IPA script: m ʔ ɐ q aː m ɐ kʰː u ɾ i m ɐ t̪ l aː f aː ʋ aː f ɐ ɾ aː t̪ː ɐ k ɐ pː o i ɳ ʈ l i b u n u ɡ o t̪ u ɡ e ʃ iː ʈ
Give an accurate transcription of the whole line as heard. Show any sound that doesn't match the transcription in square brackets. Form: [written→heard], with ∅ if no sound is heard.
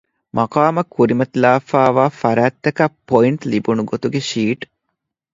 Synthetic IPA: m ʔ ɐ q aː m ɐ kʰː u ɾ i m ɐ t̪ l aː f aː ʋ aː f ɐ ɾ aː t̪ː ɐ k ɐ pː o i ɳ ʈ l i b u n u ɡ o t̪ u ɡ e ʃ iː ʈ